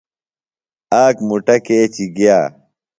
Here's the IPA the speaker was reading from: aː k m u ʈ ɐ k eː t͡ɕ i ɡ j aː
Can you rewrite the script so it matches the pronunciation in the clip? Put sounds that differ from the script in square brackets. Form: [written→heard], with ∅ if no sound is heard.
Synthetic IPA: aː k m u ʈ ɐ k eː t͡ɕ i ɡ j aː